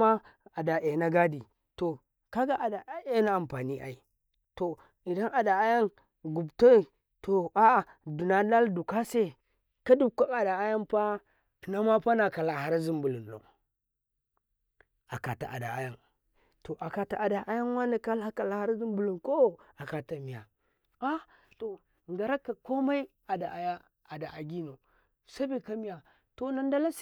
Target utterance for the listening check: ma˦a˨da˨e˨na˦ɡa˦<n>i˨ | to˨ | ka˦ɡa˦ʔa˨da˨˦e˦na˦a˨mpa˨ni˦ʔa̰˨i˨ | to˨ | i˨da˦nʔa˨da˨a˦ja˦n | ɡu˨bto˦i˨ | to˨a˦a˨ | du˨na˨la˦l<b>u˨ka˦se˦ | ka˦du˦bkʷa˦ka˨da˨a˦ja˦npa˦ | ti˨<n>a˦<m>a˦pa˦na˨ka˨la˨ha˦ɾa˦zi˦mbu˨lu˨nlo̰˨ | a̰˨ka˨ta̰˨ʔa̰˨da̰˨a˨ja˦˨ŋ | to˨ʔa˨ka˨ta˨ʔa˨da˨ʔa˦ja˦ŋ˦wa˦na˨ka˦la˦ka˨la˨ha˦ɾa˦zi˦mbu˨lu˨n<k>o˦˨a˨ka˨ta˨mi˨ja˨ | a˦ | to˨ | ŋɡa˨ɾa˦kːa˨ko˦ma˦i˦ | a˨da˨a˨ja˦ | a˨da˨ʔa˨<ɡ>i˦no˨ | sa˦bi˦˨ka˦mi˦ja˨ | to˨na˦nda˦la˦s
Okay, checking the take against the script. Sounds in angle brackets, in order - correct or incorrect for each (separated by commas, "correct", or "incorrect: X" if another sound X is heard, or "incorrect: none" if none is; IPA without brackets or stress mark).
incorrect: d, incorrect: d, correct, correct, correct, correct